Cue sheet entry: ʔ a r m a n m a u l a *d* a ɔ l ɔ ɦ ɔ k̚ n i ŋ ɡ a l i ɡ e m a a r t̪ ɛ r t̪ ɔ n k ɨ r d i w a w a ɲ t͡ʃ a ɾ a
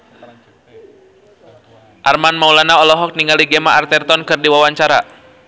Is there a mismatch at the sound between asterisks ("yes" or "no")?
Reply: yes